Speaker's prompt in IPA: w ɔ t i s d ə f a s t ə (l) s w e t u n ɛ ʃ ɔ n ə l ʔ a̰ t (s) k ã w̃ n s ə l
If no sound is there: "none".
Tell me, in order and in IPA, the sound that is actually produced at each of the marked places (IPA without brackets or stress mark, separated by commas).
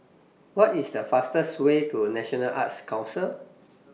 none, s